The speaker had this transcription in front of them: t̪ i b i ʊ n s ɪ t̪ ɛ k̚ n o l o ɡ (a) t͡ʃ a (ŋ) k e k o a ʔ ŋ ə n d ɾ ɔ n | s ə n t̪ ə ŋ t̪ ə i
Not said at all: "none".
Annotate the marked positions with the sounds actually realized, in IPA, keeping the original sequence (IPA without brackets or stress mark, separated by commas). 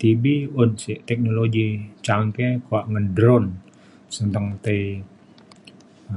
i, ŋ